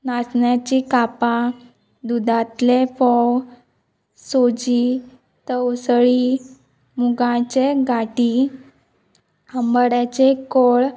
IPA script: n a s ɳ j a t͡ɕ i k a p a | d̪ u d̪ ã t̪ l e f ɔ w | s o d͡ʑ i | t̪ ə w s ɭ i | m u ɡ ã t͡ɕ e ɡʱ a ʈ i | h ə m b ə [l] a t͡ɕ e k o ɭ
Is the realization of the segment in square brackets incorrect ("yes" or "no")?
yes